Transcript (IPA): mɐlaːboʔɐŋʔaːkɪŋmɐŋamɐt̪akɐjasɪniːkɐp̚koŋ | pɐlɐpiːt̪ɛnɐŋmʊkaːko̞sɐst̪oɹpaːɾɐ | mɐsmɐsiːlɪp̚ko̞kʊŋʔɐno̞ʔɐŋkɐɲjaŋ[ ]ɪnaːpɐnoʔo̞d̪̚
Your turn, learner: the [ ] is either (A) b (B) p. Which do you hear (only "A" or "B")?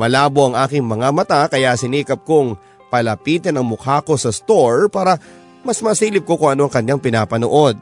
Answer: B